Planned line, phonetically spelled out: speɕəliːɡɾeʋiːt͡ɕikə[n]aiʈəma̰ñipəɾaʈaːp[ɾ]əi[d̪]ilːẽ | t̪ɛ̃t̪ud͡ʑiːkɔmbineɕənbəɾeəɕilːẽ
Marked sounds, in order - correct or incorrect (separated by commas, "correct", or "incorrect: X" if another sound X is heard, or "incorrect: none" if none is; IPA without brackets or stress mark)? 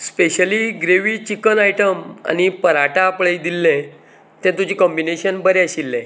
correct, incorrect: ɭ, correct